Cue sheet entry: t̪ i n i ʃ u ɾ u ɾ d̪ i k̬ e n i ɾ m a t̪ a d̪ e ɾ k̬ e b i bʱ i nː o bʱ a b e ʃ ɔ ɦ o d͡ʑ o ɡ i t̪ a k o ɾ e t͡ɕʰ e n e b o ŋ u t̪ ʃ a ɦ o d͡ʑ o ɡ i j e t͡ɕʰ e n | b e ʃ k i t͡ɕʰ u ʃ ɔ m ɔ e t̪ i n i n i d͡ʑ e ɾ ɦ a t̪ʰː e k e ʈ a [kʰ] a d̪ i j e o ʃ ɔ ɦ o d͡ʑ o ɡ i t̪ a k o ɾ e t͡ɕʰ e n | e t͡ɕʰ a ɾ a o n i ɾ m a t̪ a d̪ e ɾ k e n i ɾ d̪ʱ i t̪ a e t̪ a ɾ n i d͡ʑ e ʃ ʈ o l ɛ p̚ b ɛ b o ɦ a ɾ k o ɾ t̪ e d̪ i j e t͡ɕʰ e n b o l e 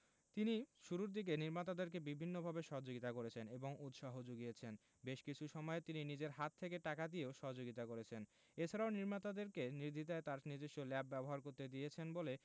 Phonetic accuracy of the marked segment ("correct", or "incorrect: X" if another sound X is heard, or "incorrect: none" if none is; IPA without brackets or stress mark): incorrect: k